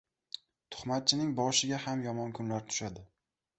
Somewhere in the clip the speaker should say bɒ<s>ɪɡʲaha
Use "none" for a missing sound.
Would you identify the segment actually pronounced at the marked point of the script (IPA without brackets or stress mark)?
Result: ʃ